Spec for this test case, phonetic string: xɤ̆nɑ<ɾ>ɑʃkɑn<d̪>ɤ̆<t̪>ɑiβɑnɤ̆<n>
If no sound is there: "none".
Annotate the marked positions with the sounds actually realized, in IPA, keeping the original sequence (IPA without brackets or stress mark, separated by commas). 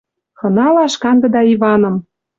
l, d̪, d̪, m